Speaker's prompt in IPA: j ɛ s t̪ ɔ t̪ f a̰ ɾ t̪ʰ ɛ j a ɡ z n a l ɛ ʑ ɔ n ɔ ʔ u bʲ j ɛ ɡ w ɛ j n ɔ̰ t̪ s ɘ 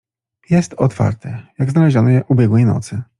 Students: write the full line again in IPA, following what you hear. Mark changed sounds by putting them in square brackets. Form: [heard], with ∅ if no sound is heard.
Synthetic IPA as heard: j ɛ s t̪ ɔ t̪ f a̰ ɾ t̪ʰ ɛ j a ɡ z n a l ɛ ʑ ɔ n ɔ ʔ u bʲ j ɛ ɡ w ɛ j n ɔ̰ t̪ s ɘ